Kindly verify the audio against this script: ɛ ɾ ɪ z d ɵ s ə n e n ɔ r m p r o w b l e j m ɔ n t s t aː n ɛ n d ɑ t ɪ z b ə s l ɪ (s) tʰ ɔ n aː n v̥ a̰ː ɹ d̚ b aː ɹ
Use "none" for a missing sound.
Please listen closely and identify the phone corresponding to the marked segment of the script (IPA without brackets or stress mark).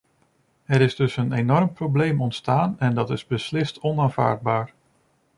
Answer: s